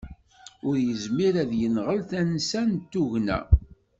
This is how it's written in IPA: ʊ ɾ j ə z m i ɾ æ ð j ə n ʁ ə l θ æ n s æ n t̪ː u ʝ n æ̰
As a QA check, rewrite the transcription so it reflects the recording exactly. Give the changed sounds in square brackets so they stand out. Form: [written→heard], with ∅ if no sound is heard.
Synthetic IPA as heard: ʊ ɾ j ə z m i ɾ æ ð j ə n ʁ ə l θ æ n s æ n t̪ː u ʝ n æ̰